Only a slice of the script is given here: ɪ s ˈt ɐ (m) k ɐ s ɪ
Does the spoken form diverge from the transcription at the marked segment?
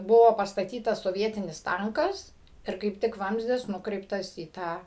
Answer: yes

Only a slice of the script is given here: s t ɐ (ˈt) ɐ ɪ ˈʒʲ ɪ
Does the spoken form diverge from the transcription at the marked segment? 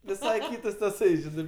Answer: yes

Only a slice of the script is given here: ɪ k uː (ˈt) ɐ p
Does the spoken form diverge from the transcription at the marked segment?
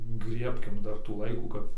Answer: yes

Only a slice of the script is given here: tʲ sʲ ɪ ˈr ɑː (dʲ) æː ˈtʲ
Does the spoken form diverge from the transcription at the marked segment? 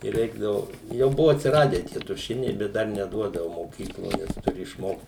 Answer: no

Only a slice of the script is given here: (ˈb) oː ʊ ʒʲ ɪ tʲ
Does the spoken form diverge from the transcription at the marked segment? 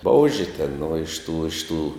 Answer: no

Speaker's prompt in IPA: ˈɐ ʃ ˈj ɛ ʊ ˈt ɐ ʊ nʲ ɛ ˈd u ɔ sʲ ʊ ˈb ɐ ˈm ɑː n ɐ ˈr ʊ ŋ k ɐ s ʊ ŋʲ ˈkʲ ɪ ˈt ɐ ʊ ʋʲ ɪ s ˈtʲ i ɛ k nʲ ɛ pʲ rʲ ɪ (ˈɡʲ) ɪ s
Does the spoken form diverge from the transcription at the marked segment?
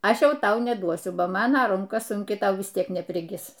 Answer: no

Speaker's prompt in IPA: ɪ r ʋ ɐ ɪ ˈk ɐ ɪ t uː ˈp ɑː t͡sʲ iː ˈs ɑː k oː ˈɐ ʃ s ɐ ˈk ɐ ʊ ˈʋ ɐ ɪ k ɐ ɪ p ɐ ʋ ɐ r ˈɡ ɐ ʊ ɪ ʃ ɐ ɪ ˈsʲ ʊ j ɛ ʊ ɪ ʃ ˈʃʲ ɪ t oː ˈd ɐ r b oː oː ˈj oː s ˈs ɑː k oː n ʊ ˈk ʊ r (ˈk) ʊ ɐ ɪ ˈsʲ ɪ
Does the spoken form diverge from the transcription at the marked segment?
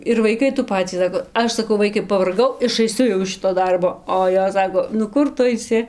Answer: yes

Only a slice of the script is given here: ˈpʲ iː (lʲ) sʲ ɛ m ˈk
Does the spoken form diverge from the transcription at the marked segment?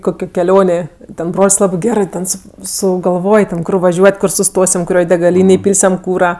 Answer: no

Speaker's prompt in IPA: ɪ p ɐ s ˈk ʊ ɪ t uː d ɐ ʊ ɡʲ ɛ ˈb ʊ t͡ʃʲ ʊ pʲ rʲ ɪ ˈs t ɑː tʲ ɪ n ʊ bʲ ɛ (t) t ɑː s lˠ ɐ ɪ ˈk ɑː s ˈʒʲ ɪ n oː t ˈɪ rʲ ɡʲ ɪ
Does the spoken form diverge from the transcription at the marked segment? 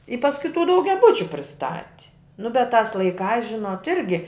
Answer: no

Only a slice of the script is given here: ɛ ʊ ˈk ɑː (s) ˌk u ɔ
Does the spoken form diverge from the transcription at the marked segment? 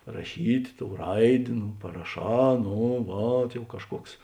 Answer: yes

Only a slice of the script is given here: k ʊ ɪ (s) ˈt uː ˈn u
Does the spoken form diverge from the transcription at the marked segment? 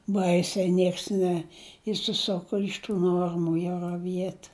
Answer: yes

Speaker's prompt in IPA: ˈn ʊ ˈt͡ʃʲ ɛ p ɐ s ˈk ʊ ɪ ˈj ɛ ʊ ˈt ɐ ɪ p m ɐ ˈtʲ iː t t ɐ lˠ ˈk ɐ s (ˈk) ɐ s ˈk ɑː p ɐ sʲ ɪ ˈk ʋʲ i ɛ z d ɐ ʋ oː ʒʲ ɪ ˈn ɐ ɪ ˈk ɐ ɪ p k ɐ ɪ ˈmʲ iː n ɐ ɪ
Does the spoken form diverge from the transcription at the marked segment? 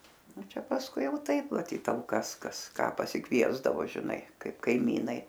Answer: no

